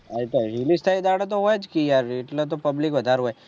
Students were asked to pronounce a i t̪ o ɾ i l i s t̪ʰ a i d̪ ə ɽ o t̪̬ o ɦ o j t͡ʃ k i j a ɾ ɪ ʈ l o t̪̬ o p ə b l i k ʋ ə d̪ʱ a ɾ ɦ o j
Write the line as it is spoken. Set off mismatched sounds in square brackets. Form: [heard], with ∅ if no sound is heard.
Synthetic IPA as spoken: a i t̪ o ɾ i l i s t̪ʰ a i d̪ [a] ɽ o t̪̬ o ɦ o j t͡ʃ k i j a ɾ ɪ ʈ l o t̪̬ o p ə b l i k ʋ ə d̪ʱ a ɾ ɦ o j